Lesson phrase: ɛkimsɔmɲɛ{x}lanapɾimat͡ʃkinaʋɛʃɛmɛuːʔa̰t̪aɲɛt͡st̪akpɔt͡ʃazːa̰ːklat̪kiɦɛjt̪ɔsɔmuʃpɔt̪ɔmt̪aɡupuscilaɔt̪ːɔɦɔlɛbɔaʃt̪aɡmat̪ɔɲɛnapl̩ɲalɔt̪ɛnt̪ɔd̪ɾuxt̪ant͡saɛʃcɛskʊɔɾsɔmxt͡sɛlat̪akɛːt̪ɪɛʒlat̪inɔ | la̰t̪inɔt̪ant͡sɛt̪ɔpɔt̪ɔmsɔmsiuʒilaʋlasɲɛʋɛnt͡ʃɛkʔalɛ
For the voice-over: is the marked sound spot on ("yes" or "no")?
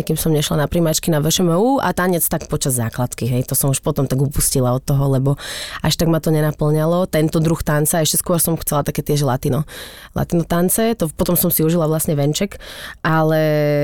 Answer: no